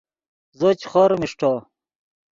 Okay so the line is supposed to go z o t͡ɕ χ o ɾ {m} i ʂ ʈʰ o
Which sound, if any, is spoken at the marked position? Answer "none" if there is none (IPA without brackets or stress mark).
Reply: m